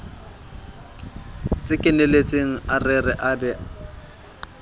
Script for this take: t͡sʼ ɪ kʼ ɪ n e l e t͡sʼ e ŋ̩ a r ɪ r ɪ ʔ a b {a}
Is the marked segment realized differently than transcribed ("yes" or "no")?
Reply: yes